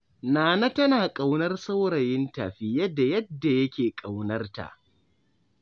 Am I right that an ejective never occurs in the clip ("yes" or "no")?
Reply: no